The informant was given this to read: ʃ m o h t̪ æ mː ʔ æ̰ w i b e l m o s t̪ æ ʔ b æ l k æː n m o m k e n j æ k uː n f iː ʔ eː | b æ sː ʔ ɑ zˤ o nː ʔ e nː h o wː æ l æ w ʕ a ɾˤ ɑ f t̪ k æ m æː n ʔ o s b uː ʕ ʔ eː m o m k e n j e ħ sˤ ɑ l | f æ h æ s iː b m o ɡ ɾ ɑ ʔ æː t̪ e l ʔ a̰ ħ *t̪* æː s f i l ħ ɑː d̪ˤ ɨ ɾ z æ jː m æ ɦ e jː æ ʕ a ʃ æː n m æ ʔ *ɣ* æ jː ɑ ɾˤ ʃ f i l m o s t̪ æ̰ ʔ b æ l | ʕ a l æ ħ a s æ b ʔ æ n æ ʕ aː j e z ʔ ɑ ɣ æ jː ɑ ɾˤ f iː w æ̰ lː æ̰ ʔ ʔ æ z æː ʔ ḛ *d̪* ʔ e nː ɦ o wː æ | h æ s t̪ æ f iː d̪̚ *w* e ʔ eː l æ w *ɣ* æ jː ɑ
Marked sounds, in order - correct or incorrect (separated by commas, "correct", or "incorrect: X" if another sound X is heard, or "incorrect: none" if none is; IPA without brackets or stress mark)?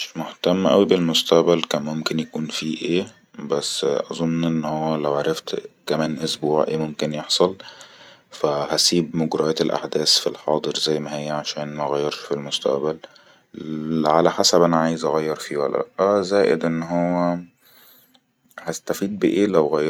incorrect: d̪, correct, correct, incorrect: b, correct